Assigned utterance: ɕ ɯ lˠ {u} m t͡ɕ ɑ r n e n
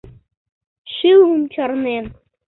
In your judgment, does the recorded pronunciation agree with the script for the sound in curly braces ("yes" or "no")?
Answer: yes